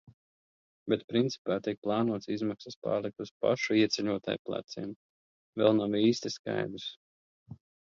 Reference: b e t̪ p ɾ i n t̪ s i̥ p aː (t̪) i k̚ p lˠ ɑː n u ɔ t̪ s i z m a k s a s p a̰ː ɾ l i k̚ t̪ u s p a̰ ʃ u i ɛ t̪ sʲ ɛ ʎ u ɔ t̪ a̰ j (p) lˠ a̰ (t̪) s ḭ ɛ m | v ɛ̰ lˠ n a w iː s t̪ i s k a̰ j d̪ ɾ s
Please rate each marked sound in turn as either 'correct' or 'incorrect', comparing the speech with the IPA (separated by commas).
correct, correct, correct